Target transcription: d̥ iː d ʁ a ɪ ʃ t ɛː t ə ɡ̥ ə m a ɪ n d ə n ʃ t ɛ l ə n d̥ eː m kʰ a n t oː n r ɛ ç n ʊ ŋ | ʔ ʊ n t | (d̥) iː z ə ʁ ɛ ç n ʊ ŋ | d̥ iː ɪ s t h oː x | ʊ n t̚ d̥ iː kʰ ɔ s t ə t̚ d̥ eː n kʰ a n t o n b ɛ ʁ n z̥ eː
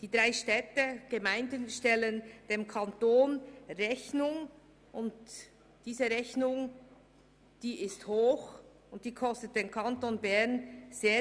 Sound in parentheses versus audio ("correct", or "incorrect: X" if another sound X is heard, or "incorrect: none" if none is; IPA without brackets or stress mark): correct